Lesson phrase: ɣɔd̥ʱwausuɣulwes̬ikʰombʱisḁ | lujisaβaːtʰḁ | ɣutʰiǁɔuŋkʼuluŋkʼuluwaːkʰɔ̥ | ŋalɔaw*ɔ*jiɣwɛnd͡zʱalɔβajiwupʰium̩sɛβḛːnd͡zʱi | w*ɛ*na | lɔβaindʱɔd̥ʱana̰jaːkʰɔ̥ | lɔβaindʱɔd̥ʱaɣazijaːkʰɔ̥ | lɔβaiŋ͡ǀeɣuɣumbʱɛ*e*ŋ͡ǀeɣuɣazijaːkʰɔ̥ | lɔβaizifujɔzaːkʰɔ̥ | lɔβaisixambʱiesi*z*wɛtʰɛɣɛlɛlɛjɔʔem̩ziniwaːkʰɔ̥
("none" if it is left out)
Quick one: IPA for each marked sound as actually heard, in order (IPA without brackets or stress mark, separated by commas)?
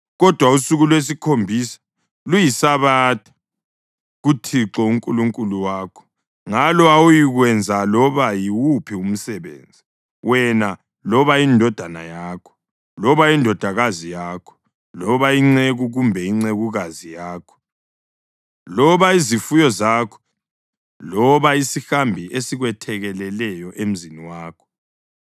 u, ɛ, i, ɣ